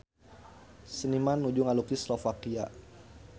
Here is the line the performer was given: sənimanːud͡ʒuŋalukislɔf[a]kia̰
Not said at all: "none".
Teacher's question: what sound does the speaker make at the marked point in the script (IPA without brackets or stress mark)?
a